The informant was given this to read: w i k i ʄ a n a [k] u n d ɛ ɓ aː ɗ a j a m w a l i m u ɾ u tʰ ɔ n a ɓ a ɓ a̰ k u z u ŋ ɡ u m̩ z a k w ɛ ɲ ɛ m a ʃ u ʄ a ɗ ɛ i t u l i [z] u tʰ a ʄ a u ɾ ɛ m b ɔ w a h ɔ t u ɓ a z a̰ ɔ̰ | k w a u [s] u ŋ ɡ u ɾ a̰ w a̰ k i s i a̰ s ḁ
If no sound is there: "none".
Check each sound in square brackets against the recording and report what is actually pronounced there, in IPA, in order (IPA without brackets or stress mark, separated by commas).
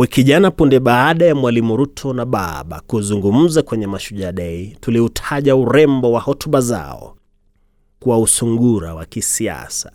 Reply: p, none, s